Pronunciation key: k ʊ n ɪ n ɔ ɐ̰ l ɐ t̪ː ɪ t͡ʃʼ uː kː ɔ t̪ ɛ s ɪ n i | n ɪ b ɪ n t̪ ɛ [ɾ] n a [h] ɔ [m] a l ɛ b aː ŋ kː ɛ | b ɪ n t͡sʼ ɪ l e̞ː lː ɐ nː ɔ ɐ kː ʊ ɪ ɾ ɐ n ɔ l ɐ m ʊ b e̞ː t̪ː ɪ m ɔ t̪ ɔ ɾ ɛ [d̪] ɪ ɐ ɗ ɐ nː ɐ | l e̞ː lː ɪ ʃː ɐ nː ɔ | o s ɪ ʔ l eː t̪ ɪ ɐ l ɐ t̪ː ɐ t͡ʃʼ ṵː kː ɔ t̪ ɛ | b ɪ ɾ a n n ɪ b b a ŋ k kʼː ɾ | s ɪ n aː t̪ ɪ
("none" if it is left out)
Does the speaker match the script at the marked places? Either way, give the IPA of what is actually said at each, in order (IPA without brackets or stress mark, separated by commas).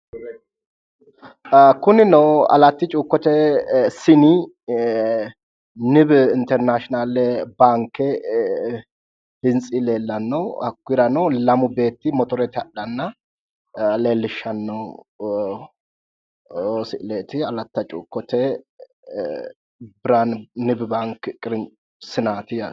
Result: ɾ, ʃ, n, t̪